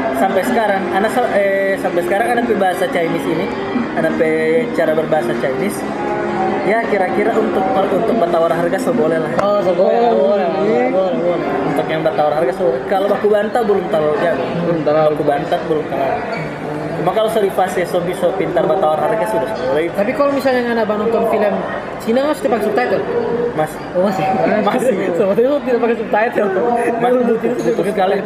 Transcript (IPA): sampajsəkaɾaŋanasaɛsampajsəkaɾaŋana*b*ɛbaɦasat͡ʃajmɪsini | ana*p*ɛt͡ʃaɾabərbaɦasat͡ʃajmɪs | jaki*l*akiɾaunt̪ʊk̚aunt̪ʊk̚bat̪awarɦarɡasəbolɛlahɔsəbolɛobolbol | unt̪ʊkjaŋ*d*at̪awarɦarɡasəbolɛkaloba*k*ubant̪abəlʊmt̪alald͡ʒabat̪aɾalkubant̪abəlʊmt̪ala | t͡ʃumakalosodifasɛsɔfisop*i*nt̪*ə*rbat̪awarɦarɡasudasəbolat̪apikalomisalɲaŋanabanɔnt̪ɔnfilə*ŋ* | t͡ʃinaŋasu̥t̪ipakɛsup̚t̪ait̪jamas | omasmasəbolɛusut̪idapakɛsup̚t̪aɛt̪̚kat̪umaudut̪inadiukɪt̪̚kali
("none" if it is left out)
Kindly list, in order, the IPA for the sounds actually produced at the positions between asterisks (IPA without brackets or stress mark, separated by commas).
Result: p, p, ɾ, b, k, i, a, m